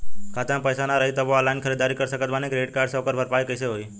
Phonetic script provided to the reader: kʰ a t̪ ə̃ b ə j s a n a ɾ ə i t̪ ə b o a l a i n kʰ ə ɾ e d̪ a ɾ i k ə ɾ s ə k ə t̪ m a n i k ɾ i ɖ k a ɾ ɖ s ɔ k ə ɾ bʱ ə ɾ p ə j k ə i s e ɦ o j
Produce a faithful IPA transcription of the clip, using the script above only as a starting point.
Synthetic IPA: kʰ a t̪ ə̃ p ə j s a n a ɾ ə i t̪ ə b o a l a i n kʰ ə ɾ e d̪ a ɾ i k ə ɾ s ə k ə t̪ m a n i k ɾ e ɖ k a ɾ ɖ s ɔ k ə ɾ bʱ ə ɾ p a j k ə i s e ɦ o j